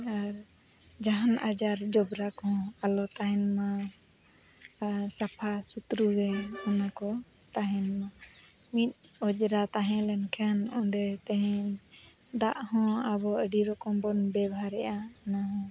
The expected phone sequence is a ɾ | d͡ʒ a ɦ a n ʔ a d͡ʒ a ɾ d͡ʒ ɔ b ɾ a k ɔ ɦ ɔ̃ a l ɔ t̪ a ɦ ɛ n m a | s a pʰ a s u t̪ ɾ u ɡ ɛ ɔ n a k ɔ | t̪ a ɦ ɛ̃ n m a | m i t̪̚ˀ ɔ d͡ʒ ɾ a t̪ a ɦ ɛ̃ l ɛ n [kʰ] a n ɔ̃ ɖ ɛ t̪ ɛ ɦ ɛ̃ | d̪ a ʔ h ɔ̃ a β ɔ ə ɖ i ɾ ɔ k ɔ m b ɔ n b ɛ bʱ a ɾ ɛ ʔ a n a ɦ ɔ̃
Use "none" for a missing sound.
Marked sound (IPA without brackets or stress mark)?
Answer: kʰ